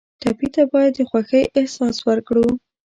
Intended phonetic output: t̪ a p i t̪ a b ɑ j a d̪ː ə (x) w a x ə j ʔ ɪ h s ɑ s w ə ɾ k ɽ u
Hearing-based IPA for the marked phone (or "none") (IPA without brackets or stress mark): x